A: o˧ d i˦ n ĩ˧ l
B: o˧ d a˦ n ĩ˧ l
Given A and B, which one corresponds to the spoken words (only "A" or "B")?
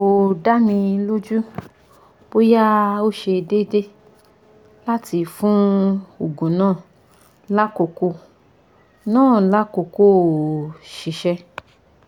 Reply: B